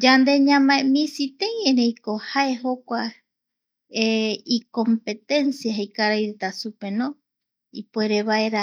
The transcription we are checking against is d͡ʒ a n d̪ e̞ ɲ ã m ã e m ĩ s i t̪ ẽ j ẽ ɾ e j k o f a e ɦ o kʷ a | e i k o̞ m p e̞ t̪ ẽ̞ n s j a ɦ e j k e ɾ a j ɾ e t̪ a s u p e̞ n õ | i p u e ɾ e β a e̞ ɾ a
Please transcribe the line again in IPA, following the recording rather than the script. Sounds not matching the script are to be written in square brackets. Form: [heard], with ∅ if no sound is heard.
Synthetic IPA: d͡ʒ a n d̪ e̞ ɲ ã m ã e m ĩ s i t̪ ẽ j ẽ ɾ e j k o [h] a e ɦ o kʷ a | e i k o̞ m p e̞ t̪ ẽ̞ n s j a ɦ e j k [a] ɾ a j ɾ e t̪ a s u p e̞ n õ | i p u e ɾ e β a e̞ ɾ a